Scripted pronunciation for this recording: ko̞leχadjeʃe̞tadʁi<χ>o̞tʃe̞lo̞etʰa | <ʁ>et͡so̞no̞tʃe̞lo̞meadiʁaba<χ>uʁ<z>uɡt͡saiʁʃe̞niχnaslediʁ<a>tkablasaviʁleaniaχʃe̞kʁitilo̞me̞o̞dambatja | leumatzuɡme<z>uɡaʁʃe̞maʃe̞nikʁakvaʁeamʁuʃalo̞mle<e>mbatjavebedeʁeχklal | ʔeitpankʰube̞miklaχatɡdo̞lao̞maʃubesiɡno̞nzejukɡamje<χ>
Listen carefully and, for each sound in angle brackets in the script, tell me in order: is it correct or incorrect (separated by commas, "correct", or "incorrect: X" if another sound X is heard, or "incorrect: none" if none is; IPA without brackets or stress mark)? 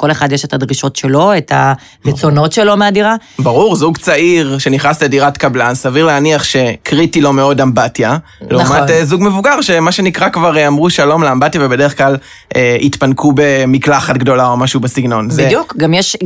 incorrect: ʃ, correct, incorrect: ʁ, correct, correct, incorrect: v, incorrect: a, incorrect: ʃ